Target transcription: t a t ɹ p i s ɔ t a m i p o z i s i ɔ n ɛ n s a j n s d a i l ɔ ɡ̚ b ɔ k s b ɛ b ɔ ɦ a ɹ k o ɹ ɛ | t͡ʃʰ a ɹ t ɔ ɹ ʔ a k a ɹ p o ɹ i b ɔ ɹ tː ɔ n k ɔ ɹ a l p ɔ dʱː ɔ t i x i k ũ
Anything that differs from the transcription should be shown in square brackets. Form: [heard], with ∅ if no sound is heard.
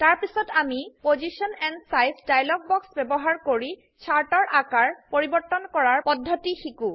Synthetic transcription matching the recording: t a [∅] ɹ p i s ɔ t a m i p o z i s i ɔ n ɛ n s a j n s d a [j] l ɔ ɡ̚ b ɔ k s b ɛ b ɔ ɦ a ɹ k o ɹ [i] | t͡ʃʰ a ɹ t ɔ ɹ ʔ a k a ɹ p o ɹ i b ɔ ɹ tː ɔ n k ɔ ɹ a [ɹ] p ɔ dʱː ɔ t i x i k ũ